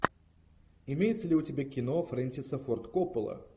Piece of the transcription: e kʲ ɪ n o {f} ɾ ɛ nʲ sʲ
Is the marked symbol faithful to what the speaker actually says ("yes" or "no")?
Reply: yes